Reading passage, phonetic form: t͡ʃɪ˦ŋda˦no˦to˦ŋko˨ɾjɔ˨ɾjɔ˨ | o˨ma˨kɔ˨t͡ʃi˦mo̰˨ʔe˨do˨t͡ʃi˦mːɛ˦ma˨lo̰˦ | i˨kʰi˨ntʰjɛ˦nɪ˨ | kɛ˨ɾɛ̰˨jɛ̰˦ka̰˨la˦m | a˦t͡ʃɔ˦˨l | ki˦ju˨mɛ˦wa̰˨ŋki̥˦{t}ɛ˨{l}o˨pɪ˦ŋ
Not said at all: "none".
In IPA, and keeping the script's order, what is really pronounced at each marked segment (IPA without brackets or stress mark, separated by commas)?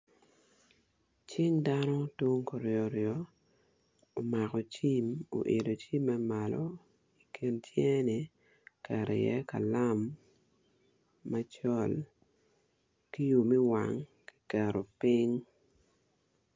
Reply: k, ɾ